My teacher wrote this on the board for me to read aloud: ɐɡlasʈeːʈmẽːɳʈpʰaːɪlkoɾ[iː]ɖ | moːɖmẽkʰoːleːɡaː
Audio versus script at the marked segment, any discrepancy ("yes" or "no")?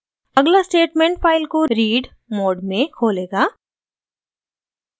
no